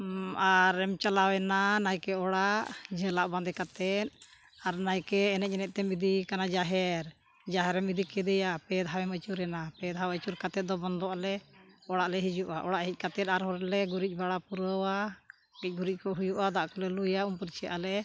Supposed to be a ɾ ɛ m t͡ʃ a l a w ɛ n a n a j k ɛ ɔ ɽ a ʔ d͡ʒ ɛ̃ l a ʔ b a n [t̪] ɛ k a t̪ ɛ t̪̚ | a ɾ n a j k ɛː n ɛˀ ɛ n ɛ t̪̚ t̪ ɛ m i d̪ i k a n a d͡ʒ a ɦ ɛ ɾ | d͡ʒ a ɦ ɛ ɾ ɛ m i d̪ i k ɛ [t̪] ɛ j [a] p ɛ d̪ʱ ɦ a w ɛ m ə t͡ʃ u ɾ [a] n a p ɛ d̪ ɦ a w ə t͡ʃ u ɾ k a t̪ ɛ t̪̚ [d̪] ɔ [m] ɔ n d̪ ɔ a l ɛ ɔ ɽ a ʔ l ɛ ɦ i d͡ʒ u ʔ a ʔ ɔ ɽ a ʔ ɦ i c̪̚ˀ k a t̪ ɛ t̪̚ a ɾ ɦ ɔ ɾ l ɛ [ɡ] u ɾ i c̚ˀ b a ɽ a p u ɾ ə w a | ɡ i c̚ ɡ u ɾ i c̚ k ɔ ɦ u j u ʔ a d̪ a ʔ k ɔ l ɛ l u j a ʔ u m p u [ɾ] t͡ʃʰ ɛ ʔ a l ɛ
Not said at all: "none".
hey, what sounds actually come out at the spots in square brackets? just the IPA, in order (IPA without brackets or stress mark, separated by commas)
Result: d̪, d̪, a, ɛ, d̪, b, ɡ, ɾ